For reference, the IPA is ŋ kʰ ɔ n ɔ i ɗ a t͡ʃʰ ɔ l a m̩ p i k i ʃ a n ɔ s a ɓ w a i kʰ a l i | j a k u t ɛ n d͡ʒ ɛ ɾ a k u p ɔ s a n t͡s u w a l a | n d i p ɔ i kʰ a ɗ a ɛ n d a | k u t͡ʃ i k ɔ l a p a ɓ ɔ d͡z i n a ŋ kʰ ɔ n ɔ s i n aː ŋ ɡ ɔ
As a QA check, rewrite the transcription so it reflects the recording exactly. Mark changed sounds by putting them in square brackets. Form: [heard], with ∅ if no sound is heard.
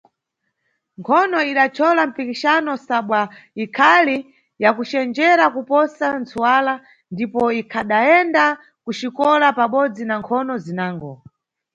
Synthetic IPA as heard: ŋ kʰ ɔ n ɔ i ɗ a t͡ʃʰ ɔ l a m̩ p i k i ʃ a n ɔ s a ɓ w a i kʰ a l i | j a k u [t͡ʃ] ɛ n d͡ʒ ɛ ɾ a k u p ɔ s a n t͡s u w a l a | n d i p ɔ i kʰ a ɗ a ɛ n d a | k u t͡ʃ i k ɔ l a p a ɓ ɔ d͡z i n a ŋ kʰ ɔ n ɔ [z] i n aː ŋ ɡ ɔ